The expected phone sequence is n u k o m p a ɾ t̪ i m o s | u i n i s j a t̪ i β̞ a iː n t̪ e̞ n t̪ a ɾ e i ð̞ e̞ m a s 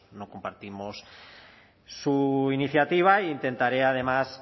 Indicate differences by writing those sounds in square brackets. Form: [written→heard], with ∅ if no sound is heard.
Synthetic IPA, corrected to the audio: n [u→o] k o m p a ɾ t̪ i m o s | u i n i [s→θ] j a t̪ i β̞ a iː n t̪ e̞ n t̪ a ɾ e [i→a] ð̞ e̞ m a s